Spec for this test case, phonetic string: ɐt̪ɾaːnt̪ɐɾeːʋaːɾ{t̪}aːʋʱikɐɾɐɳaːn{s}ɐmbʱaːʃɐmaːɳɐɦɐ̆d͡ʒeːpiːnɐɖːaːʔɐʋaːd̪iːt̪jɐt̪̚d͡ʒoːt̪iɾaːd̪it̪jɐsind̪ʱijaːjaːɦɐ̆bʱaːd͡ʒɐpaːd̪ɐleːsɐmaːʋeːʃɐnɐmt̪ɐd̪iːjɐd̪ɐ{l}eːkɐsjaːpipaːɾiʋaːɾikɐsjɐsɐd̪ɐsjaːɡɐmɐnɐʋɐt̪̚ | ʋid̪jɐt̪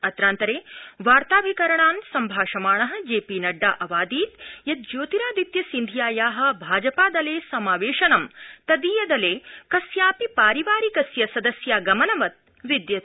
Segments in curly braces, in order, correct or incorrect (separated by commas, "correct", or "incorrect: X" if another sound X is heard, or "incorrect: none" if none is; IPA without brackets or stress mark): correct, correct, correct